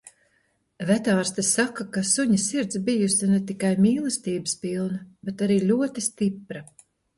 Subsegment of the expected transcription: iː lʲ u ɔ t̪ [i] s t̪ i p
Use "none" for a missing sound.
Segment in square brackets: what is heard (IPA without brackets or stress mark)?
i